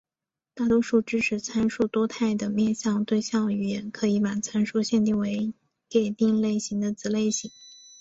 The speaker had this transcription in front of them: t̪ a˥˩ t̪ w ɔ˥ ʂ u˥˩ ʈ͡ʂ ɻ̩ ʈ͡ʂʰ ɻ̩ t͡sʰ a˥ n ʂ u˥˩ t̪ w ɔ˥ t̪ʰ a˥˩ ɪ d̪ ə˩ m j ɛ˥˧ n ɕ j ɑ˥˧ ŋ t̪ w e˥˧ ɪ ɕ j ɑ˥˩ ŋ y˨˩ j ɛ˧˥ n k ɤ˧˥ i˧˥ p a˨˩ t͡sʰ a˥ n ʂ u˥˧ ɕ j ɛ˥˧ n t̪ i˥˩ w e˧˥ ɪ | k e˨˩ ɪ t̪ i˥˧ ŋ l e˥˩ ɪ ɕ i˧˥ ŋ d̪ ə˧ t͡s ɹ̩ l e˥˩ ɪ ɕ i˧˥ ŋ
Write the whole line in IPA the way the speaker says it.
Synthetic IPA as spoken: t̪ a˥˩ t̪ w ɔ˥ ʂ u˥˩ ʈ͡ʂ ɻ̩ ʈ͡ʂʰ ɻ̩ t͡sʰ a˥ n ʂ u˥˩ t̪ w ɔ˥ t̪ʰ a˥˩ ɪ d̪ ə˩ m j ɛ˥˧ n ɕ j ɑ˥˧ ŋ t̪ w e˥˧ ɪ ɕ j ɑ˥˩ ŋ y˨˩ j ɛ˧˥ n kʰ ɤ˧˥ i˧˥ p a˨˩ t͡sʰ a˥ n ʂ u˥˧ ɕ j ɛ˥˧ n t̪ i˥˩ w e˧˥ ɪ | k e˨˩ ɪ t̪ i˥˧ ŋ l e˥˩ ɪ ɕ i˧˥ ŋ d̪ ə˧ t͡s ɹ̩ l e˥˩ ɪ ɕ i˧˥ ŋ